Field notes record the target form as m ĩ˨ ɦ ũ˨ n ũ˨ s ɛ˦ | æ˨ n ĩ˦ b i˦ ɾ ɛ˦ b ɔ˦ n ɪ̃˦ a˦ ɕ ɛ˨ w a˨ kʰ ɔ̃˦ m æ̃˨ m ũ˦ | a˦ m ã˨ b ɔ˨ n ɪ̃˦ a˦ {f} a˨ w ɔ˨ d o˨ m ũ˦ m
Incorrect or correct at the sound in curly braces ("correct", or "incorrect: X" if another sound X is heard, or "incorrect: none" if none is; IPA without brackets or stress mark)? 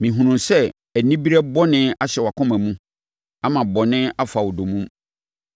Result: correct